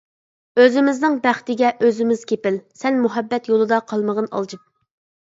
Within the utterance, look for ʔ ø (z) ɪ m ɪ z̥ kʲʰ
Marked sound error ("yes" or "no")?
no